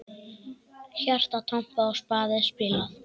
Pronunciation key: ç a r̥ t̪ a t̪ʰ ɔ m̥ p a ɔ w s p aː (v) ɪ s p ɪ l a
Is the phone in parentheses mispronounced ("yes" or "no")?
yes